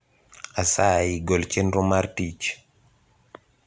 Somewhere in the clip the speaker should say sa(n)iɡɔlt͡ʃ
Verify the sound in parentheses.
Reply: incorrect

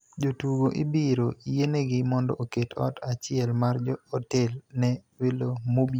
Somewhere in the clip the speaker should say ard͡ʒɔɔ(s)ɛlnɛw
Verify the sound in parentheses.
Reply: incorrect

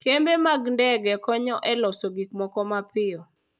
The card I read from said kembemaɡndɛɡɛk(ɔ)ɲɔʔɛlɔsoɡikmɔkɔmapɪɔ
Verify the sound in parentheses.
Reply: correct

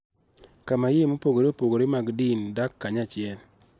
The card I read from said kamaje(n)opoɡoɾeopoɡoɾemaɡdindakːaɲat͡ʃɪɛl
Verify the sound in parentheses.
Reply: incorrect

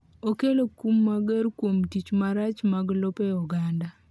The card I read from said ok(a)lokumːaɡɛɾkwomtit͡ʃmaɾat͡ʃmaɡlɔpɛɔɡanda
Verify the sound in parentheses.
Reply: incorrect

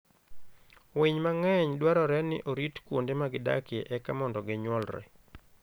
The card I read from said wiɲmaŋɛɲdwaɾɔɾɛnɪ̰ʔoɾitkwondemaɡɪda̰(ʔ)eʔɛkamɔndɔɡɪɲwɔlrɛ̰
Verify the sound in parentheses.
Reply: incorrect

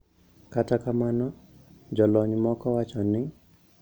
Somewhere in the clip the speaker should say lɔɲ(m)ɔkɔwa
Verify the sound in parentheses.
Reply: correct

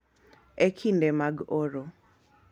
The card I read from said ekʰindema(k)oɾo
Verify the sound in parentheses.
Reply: incorrect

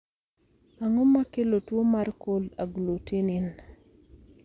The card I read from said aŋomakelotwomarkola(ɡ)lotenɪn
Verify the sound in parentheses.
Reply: correct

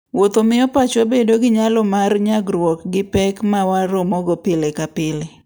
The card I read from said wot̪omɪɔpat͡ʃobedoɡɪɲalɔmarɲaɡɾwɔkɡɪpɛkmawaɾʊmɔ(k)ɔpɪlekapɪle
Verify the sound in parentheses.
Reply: incorrect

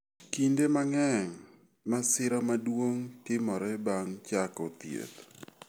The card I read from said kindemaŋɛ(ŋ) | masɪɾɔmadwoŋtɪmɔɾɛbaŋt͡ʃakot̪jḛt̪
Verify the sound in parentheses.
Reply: correct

